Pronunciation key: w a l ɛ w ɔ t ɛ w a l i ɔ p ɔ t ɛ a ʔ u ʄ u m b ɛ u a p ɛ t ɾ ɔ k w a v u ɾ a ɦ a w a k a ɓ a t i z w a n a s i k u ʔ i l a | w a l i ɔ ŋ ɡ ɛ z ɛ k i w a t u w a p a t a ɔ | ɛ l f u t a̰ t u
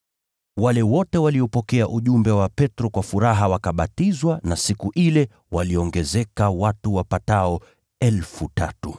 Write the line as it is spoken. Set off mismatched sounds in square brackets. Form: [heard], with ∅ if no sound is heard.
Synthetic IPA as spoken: w a l ɛ w ɔ t ɛ w a l i ɔ p ɔ [k] ɛ a ʔ u ʄ u m b ɛ [w] a p ɛ t ɾ ɔ k w a [f] u ɾ a ɦ a w a k a ɓ a t i z w a n a s i k u ʔ i l [ɛ] | w a l i ɔ ŋ ɡ ɛ z ɛ k [a] w a t u w a p a t a ɔ | ɛ l f u t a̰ t u